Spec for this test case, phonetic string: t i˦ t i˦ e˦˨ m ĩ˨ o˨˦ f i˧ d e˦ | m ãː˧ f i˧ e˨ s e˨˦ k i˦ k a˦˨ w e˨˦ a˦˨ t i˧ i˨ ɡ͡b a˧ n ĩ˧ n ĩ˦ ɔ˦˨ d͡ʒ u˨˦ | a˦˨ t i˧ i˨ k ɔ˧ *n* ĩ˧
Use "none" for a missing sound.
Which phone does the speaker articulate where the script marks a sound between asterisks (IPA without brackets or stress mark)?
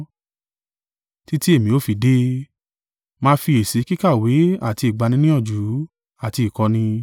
n